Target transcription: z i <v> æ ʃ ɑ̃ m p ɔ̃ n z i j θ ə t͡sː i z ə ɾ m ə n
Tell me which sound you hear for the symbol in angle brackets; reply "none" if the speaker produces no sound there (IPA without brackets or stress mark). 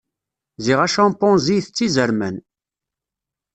ʁ